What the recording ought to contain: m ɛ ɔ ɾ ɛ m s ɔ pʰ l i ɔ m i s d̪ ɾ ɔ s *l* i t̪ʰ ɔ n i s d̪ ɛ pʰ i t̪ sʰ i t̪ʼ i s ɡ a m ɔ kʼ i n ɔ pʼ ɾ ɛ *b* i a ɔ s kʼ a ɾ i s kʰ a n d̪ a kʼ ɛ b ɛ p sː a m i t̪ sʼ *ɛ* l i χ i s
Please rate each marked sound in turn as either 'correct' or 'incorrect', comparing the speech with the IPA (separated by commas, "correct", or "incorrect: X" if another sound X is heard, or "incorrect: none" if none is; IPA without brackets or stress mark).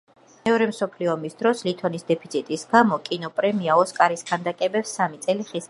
correct, incorrect: m, correct